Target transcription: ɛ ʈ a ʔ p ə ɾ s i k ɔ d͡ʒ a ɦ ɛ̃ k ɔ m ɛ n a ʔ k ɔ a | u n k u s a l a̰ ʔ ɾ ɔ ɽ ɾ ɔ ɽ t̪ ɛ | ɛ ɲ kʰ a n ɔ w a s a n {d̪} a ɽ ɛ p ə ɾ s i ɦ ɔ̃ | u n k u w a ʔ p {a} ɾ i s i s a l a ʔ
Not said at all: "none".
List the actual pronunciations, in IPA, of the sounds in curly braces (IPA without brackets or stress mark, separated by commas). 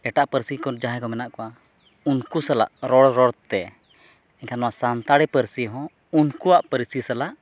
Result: t̪, ə